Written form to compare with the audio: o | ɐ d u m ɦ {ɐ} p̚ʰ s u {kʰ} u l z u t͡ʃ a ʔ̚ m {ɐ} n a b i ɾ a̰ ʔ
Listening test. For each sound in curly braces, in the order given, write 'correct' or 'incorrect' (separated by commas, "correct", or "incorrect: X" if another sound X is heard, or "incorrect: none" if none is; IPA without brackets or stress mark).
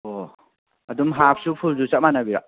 incorrect: a, incorrect: pʰ, incorrect: a